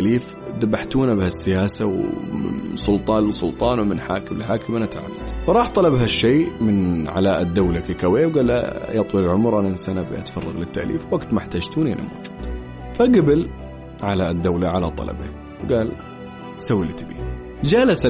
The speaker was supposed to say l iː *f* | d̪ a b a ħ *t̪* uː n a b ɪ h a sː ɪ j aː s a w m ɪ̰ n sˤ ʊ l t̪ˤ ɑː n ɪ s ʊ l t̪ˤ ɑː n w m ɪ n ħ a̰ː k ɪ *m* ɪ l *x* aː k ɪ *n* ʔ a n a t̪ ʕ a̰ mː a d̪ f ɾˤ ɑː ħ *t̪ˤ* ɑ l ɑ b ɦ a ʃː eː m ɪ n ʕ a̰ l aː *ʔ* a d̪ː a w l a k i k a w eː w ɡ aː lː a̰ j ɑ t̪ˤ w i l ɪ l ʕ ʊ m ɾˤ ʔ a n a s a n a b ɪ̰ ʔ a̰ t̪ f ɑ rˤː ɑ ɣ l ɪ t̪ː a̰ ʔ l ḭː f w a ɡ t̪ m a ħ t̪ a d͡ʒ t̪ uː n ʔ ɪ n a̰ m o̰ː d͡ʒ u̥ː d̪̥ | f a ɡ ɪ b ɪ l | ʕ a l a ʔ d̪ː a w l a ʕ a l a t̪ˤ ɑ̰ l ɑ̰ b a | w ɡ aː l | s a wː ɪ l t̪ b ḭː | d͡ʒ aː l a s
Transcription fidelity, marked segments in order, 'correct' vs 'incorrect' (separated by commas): correct, correct, correct, incorrect, incorrect, correct, correct